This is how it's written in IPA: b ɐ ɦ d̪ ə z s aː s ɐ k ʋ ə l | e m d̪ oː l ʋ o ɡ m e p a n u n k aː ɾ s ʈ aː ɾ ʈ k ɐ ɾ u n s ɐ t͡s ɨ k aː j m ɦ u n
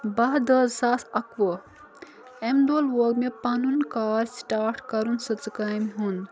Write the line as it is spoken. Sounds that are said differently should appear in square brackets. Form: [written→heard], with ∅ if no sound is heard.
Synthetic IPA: b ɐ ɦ d̪ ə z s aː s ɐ k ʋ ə [l→∅] | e m d̪ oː l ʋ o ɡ m e p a n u n k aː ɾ s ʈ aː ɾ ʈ k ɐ ɾ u n s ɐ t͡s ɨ k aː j m ɦ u n